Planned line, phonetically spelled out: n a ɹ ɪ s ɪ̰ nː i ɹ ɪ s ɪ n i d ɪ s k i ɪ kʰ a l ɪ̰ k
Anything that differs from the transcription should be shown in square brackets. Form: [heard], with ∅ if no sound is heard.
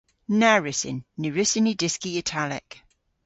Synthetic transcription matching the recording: n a ɹ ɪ s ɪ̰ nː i ɹ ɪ s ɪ n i d ɪ s k i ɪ [tʰ] a l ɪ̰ k